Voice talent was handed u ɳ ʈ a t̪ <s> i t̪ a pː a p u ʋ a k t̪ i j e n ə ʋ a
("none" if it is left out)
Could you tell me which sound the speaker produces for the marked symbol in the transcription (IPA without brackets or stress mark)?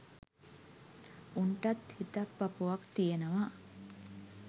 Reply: h